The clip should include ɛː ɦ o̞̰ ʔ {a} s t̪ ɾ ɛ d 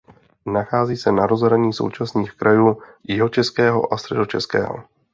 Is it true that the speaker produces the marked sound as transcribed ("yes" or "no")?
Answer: yes